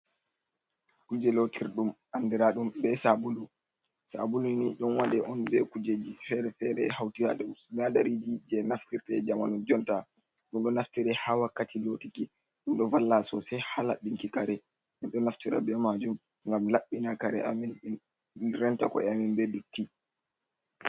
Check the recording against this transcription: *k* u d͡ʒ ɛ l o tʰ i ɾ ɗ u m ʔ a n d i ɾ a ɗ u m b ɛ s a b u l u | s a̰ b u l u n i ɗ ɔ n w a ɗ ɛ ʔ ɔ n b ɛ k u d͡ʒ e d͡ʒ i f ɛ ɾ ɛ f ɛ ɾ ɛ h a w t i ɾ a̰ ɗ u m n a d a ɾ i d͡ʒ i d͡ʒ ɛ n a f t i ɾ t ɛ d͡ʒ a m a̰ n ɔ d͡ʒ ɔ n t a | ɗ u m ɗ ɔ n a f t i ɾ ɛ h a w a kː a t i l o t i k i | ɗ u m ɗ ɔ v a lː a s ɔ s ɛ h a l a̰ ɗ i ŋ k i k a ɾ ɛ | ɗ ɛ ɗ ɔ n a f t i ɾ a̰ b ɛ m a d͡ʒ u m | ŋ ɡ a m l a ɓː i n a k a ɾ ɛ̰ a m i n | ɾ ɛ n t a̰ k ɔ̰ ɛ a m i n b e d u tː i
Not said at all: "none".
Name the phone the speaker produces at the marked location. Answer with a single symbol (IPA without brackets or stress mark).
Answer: k